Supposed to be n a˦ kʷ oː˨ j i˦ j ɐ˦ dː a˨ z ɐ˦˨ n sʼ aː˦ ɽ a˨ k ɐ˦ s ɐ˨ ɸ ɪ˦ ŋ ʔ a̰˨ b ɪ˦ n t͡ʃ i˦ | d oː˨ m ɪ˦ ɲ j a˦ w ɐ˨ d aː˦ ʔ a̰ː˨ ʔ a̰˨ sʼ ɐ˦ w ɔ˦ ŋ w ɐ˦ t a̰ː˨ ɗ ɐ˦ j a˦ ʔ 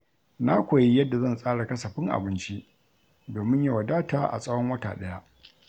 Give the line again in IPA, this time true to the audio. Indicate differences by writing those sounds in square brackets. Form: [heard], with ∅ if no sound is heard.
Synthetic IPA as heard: n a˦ kʷ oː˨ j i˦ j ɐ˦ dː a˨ z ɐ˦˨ n sʼ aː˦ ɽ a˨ k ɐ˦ s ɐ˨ ɸ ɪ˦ ŋ ʔ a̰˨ b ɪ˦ n t͡ʃ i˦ | d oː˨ m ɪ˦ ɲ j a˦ w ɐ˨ d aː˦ [t] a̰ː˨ ʔ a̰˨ sʼ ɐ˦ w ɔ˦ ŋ w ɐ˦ t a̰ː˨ ɗ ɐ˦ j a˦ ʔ

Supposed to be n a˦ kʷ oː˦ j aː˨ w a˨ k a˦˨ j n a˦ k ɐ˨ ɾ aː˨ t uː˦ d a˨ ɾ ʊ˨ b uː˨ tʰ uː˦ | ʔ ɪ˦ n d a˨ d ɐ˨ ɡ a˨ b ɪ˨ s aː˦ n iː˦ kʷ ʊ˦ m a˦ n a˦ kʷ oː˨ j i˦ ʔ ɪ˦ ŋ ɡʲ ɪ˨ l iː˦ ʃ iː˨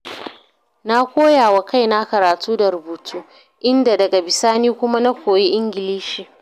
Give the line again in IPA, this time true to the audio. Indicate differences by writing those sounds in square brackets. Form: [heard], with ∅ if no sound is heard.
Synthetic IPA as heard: n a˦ kʷ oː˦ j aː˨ w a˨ k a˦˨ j n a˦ k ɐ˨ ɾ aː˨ t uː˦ d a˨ ɾ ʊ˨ b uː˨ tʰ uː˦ | ʔ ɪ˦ n d a˨ d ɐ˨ ɡ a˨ b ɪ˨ s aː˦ n iː˦ kʷ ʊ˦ m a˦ n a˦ kʷ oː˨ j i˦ ʔ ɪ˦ ŋ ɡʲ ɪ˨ l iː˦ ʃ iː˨

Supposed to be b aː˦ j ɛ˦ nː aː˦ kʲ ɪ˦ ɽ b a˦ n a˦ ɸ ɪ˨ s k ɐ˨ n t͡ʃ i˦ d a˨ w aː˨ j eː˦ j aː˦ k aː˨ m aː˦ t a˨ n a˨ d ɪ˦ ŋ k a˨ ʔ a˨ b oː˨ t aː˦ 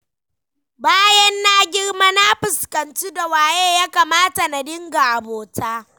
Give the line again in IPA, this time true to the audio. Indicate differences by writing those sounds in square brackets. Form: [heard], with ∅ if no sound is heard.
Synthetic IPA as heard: b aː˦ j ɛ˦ nː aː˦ [ɡʲ] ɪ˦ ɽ [m] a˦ n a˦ ɸ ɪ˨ s k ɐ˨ n t͡ʃ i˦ d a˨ w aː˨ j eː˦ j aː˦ k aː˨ m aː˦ t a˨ n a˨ d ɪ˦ ŋ [ɡ] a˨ ʔ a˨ b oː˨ t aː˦

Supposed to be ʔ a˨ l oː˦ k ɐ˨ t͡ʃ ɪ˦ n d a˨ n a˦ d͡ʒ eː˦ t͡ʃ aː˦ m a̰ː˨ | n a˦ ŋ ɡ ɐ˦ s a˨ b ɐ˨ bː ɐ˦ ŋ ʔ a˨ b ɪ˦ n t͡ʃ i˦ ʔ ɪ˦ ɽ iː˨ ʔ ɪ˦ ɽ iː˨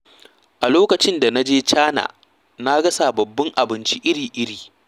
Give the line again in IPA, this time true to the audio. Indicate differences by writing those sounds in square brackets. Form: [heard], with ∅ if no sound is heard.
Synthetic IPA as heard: ʔ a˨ l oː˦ k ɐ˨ t͡ʃ ɪ˦ n d a˨ n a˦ d͡ʒ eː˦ t͡ʃ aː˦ [n] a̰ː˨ | n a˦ [∅] ɡ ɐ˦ s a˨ b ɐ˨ bː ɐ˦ ŋ ʔ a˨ b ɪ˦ n t͡ʃ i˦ ʔ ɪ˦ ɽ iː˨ ʔ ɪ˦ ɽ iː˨

